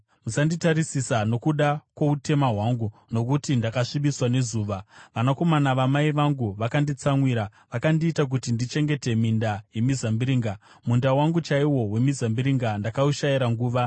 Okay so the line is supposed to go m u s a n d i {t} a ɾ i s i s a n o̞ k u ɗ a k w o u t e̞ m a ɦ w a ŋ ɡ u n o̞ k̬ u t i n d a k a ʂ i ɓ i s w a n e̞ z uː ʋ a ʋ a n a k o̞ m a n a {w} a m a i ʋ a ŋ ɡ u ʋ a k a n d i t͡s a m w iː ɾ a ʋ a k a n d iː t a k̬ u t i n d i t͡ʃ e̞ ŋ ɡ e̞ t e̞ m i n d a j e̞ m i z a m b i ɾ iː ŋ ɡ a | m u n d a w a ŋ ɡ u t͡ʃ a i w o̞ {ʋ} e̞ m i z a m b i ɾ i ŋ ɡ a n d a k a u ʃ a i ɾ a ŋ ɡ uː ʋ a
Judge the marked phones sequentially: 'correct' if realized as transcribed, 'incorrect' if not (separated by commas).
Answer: correct, incorrect, incorrect